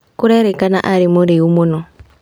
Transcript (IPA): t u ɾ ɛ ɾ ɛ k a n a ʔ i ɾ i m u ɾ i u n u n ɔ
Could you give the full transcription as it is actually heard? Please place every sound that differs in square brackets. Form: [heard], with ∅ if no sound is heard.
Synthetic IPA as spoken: [k] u ɾ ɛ ɾ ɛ k a n a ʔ [a] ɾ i m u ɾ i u [m] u n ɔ